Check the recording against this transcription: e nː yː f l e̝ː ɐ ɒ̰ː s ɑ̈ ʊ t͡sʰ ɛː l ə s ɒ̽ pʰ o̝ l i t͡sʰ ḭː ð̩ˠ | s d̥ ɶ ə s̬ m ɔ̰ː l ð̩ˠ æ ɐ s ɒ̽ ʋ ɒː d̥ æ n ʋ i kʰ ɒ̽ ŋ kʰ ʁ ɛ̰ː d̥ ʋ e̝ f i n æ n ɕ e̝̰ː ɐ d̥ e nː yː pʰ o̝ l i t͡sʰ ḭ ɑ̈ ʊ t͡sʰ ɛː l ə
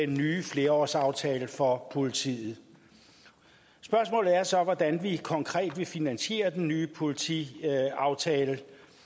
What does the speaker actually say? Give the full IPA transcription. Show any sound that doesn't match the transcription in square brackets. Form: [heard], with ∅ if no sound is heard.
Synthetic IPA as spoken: e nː yː f l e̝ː ɐ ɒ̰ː s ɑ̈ ʊ t͡sʰ ɛː l ə [f] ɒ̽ pʰ o̝ l i t͡sʰ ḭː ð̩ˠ | s [b̥] ɶ [ɐ] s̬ m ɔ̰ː l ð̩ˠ æ ɐ s ɒ̽ ʋ [ɒ] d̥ æ n ʋ i kʰ ɒ̽ ŋ kʰ ʁ ɛ̰ː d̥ ʋ e̝ f i n æ n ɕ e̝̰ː ɐ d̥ e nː yː pʰ o̝ l i t͡sʰ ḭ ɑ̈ ʊ t͡sʰ ɛː l ə